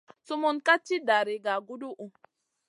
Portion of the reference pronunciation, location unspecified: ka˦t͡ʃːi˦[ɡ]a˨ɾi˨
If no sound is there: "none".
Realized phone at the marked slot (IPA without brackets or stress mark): d